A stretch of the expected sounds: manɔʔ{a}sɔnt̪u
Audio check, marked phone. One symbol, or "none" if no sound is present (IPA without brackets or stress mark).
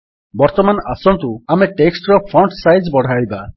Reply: a